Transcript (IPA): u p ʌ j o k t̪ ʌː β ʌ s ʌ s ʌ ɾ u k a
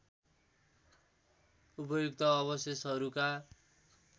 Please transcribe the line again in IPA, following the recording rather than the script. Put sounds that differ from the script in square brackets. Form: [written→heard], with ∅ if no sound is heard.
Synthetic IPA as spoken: u p ʌ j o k t̪ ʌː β ʌ s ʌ s ʌ ɾ u k a